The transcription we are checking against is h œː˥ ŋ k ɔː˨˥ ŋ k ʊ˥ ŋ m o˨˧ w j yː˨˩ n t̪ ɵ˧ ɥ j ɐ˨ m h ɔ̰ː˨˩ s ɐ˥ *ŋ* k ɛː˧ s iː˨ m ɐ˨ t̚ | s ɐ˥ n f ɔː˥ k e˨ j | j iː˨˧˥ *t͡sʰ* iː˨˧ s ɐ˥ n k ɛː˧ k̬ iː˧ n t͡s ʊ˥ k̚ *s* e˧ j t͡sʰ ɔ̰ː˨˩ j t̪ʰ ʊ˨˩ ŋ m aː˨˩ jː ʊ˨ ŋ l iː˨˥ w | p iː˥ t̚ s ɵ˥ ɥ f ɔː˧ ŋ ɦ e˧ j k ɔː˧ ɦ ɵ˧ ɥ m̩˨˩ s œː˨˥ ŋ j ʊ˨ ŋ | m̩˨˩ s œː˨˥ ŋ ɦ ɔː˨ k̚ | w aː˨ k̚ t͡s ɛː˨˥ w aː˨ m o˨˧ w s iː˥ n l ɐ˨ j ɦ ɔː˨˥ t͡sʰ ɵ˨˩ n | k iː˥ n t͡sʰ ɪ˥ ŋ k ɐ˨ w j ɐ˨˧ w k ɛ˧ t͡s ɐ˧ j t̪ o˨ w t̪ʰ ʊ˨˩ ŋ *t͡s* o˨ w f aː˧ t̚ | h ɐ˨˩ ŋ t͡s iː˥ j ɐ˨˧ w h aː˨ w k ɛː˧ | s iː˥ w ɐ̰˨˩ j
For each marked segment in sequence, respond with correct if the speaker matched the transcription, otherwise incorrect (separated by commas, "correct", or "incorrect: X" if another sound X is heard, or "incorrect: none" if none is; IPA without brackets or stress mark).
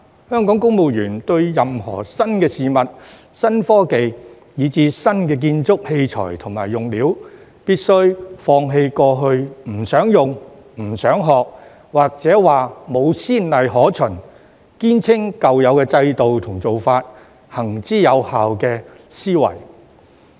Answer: incorrect: n, incorrect: t͡s, incorrect: h, correct